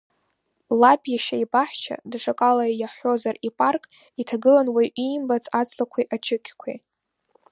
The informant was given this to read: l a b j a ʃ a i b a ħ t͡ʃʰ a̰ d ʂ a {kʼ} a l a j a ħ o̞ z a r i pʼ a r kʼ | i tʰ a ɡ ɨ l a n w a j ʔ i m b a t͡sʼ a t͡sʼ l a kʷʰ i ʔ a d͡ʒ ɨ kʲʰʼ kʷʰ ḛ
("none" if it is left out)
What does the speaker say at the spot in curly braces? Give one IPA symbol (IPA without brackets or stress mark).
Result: kʼ